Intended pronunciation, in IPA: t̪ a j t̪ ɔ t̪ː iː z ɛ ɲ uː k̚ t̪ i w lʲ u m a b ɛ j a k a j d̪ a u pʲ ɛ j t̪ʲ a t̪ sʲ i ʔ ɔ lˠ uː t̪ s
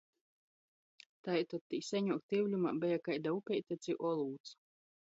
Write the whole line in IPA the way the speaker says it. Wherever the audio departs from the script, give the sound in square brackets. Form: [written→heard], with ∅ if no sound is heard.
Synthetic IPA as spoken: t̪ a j t̪ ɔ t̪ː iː [z→s] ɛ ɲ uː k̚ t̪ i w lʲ u m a b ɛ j a k a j d̪ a u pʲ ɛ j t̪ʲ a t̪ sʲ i ʔ ɔ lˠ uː t̪ s